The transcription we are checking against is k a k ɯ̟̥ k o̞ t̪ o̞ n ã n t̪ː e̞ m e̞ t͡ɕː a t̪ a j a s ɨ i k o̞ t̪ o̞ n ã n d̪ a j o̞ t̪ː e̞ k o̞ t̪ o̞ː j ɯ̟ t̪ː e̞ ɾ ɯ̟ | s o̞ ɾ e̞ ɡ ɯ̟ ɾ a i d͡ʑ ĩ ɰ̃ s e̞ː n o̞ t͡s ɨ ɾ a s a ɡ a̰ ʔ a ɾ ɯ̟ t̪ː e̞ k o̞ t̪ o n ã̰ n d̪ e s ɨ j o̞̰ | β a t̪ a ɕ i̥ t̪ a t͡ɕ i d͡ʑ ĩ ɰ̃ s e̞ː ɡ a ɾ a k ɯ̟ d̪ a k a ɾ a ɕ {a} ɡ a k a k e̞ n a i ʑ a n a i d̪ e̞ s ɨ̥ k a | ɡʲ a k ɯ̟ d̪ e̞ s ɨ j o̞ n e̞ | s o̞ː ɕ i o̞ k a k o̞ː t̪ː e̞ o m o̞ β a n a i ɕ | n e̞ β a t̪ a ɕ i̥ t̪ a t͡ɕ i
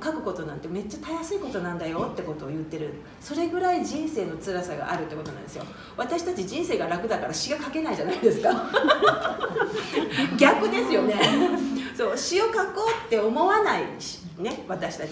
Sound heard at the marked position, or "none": i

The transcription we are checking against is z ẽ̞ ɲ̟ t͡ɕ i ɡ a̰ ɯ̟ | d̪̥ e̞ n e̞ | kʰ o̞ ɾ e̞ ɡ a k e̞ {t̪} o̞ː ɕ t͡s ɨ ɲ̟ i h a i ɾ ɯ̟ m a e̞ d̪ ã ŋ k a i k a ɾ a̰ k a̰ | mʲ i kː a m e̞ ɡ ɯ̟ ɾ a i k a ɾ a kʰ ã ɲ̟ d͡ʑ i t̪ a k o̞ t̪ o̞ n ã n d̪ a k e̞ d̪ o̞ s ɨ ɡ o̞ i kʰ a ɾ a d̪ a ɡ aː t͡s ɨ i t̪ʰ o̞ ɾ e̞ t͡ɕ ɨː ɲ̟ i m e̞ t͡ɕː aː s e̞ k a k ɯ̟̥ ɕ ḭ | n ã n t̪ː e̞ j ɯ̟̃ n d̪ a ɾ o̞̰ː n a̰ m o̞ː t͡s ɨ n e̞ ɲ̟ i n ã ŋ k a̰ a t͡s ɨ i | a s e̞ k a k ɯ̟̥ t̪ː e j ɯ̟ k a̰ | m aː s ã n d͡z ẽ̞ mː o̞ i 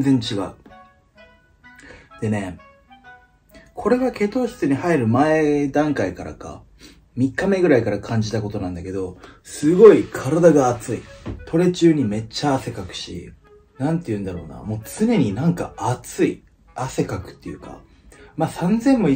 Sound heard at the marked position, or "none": t̪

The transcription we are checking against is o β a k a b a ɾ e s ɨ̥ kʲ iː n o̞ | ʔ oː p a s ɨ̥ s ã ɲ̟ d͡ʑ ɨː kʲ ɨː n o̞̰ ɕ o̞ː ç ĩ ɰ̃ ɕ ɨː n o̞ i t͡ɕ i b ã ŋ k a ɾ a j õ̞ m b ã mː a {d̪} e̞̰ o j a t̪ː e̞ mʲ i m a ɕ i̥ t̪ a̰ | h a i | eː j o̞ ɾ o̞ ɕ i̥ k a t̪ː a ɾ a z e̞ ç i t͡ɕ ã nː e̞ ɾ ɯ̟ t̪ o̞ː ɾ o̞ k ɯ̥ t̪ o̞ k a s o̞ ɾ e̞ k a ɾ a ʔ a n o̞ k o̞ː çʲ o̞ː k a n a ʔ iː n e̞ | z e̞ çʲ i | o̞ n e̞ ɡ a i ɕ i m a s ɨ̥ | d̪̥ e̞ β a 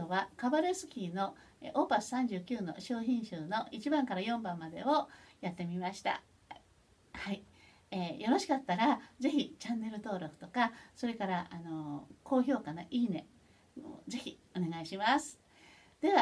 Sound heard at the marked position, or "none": d̪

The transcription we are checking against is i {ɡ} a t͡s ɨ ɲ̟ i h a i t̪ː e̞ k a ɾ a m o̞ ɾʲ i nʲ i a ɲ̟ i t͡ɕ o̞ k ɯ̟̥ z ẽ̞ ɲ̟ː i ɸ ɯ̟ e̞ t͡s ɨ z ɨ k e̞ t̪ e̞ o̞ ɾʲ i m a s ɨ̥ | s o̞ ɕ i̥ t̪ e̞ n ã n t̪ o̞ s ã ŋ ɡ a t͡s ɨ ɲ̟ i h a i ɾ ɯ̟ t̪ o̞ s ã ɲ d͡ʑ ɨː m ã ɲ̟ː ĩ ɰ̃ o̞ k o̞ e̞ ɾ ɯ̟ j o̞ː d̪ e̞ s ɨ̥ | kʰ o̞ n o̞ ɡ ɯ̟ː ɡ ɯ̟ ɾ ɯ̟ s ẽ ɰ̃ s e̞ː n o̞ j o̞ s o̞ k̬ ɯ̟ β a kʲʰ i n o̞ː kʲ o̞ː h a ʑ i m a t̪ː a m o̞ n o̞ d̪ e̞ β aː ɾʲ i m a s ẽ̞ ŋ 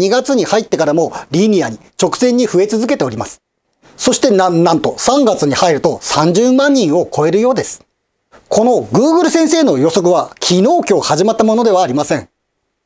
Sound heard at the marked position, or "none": ɡ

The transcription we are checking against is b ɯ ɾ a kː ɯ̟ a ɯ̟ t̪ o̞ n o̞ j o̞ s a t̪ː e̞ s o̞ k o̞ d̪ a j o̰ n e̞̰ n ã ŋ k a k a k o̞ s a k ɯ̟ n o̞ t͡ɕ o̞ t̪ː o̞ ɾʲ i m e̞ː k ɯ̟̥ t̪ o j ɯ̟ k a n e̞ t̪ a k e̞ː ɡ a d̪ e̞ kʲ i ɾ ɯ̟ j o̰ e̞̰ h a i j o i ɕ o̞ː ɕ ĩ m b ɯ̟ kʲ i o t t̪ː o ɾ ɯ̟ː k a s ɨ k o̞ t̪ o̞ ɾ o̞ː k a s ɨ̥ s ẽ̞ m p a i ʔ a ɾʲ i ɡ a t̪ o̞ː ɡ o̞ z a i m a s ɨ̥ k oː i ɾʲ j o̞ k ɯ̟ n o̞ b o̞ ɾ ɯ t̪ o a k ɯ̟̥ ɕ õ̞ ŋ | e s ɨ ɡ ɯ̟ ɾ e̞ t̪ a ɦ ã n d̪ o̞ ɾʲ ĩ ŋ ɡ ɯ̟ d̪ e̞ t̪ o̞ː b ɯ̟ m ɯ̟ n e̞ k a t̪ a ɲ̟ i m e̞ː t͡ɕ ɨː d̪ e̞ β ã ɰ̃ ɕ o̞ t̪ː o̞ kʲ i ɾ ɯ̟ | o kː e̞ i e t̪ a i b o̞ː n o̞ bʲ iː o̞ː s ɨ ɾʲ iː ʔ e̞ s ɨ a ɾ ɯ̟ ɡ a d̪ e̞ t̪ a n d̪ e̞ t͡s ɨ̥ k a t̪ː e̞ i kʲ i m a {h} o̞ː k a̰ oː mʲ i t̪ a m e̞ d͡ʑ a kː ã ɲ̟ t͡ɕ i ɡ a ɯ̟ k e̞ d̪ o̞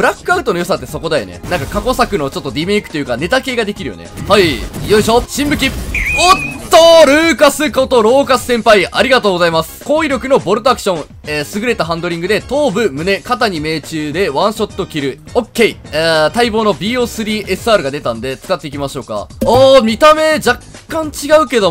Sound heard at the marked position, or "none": ɕ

